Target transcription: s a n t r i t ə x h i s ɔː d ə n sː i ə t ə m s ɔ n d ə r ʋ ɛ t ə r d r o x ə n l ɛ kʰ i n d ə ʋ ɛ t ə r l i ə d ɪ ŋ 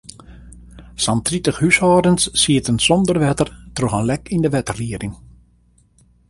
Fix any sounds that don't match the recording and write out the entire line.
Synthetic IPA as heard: s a n t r i t ə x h y s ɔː d ə n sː i ə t ə n s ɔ n d ə r ʋ ɛ t ə r t r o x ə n l ɛ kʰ i n d ə ʋ ɛ t ə r l i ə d ɪ ŋ